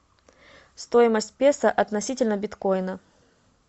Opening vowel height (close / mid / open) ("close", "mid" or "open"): mid